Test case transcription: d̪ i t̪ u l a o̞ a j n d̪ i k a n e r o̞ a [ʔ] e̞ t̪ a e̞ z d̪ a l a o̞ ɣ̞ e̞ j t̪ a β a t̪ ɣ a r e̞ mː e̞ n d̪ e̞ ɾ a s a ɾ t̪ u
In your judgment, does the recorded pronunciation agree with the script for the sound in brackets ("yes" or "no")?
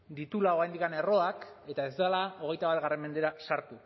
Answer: no